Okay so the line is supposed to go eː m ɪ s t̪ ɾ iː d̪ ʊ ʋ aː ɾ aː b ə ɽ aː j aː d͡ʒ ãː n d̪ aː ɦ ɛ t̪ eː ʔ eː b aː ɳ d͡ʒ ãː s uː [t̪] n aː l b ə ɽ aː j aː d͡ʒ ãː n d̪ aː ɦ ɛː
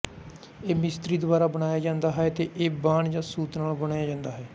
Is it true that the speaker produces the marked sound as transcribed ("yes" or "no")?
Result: yes